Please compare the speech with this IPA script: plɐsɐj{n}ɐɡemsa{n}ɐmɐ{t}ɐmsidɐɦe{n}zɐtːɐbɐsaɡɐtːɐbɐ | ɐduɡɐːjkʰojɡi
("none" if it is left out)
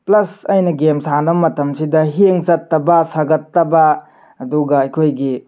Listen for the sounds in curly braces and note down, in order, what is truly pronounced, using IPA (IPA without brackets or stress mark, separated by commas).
n, n, t, ŋ